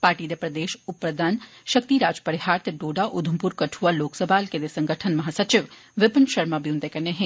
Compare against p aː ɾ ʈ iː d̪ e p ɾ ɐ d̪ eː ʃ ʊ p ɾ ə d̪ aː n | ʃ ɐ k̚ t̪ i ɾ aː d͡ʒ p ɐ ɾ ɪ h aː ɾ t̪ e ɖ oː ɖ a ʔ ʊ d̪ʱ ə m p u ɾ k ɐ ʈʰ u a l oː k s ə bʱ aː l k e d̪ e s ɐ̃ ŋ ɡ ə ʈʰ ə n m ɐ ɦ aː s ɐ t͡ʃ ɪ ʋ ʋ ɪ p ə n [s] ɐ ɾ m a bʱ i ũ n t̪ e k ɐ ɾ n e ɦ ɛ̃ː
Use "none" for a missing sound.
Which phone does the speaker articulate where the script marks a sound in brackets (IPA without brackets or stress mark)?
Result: ʃ